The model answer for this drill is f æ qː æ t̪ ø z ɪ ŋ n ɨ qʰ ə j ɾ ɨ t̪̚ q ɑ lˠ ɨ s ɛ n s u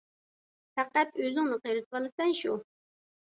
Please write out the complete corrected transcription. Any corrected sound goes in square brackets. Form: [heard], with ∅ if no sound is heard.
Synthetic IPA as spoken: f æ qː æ t̪ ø z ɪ ŋ n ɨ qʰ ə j ɾ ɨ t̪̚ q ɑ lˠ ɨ s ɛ n [ʃ] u